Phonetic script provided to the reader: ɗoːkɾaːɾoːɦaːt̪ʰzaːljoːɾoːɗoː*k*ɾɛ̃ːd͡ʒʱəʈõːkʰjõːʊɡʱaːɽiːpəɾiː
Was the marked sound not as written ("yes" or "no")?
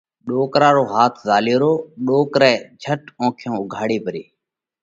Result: no